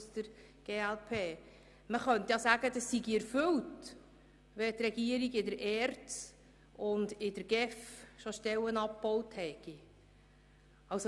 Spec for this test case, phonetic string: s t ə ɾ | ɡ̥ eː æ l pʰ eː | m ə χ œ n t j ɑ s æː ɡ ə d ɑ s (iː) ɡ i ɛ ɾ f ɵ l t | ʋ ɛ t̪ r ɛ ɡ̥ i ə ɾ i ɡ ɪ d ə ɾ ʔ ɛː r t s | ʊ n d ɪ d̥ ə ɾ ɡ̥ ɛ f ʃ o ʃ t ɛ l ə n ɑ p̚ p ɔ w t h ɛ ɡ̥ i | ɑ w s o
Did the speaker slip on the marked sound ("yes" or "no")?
yes